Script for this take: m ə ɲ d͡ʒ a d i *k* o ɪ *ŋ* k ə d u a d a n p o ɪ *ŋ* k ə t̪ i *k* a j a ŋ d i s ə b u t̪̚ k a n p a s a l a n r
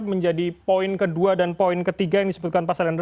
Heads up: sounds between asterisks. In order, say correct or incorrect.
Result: incorrect: p, incorrect: n, incorrect: n, incorrect: ɡ

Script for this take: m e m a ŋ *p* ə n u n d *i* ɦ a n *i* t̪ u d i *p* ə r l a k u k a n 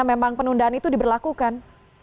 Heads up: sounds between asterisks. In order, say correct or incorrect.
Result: correct, incorrect: a, correct, incorrect: b

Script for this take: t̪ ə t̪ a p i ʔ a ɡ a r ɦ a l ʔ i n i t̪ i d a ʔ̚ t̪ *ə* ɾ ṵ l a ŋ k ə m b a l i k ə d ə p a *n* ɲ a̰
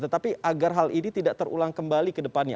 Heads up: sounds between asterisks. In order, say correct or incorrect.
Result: correct, correct

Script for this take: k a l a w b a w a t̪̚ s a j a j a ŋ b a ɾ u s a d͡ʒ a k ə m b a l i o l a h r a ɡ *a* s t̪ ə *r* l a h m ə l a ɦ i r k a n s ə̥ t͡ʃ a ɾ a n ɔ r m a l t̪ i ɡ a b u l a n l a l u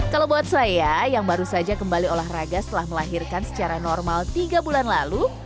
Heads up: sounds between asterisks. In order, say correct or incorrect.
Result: correct, incorrect: none

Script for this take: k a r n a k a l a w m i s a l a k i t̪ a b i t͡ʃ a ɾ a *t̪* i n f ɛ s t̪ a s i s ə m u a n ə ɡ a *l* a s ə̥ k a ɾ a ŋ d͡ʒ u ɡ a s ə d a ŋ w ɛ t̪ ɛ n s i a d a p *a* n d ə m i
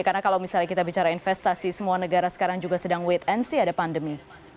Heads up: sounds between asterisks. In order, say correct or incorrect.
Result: incorrect: none, incorrect: ɾ, correct

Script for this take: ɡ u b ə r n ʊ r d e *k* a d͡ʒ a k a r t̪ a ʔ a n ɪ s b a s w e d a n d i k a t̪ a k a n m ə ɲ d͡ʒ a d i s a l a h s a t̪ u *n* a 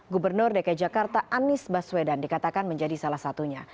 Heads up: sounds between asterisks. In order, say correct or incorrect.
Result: correct, incorrect: ɲ

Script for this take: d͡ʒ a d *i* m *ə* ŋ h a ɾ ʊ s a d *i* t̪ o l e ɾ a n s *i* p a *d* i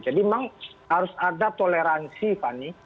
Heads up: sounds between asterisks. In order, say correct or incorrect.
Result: correct, incorrect: a, incorrect: a, correct, incorrect: n

